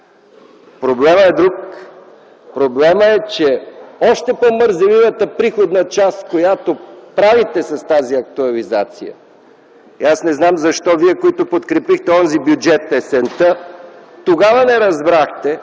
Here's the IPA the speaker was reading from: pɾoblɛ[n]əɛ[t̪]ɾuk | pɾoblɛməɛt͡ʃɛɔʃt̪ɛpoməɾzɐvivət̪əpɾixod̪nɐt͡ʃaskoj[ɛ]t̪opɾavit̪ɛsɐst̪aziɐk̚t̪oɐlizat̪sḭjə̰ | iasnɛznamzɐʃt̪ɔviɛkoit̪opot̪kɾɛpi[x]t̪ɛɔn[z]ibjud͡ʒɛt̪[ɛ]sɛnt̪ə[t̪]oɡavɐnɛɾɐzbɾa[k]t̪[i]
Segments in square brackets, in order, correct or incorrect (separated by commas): incorrect, incorrect, incorrect, correct, correct, correct, correct, incorrect, incorrect